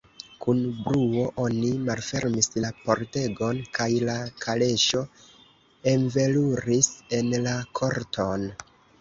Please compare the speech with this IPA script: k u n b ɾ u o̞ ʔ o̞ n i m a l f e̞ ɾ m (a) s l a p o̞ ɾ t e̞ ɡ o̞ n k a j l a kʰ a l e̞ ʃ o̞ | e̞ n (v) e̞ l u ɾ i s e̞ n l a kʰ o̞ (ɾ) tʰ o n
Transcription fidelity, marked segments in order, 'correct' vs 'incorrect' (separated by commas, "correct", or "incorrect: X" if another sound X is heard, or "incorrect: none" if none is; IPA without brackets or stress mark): incorrect: i, correct, correct